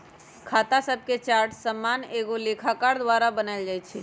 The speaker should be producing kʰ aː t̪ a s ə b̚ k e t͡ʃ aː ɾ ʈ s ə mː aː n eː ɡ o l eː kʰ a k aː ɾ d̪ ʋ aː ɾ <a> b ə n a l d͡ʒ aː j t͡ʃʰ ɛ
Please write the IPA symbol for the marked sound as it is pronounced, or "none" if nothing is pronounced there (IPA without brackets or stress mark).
a